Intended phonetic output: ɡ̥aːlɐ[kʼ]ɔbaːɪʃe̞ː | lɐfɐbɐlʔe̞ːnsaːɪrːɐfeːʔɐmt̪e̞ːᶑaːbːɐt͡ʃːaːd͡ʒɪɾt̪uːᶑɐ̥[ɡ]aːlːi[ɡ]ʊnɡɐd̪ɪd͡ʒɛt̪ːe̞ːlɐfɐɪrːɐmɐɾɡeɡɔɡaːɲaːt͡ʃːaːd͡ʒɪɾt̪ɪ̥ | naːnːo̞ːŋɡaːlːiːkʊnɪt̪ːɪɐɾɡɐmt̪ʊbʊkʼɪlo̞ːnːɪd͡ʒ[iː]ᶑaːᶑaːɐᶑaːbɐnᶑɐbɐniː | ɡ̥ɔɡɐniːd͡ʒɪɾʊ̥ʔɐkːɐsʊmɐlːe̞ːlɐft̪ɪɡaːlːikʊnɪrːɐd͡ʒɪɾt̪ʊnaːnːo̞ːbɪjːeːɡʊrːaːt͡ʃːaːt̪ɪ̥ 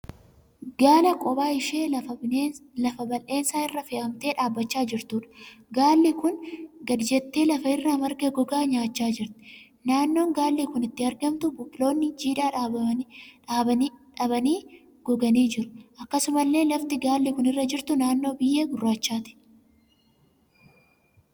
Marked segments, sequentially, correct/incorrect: correct, correct, incorrect, correct

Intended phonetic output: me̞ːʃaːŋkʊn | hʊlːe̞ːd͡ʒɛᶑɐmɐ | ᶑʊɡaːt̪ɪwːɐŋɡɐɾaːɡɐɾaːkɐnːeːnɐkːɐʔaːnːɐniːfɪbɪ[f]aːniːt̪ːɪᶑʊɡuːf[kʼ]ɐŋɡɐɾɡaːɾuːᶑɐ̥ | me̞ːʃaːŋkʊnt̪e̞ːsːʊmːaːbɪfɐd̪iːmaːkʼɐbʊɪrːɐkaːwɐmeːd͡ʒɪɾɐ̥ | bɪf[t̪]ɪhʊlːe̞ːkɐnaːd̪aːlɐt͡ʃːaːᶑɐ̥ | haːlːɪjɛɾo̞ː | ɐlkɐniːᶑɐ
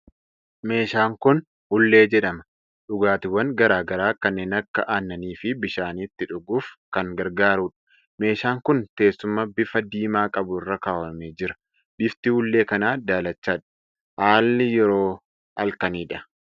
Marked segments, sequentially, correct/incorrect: incorrect, incorrect, correct

